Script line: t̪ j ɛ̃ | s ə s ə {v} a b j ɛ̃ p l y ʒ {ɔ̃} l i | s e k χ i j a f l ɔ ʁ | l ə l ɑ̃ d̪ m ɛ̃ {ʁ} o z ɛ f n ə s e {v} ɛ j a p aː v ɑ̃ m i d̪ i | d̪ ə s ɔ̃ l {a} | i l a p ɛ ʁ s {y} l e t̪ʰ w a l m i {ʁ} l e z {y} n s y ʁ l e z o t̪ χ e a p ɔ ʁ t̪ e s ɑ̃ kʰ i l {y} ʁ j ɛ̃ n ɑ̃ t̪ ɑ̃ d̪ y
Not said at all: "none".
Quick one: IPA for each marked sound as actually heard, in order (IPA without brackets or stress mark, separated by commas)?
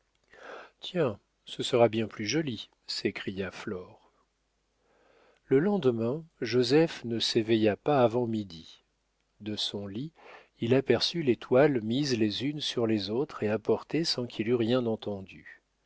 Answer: ʁ, ɔ, ʒ, v, i, y, z, y, y